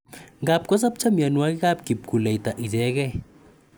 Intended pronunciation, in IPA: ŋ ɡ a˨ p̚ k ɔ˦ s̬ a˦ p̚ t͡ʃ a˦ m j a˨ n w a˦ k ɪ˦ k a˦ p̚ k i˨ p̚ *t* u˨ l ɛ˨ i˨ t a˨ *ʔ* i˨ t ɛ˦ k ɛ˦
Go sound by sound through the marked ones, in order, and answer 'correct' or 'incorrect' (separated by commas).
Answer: incorrect, correct